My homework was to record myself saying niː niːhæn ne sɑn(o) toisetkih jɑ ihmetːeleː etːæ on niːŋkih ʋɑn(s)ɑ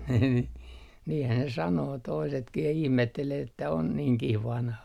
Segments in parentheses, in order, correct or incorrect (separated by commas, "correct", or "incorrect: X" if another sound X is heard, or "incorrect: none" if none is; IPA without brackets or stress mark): incorrect: oː, incorrect: h